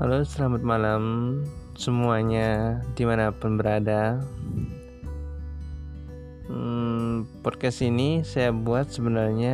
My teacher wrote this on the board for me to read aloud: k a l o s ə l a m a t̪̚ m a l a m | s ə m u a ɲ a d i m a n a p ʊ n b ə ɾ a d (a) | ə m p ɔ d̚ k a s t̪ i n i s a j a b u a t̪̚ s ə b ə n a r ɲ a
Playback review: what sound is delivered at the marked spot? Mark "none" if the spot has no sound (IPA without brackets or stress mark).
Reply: a